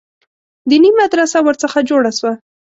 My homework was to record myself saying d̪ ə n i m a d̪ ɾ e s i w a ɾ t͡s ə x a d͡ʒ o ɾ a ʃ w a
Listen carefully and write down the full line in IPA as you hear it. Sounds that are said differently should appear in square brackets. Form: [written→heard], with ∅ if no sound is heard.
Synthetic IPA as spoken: d̪ ə n i m a d̪ ɾ [e→a] s [i→a] w [a→ə] ɾ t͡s ə x a d͡ʒ o [ɾ→ɽ] a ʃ w a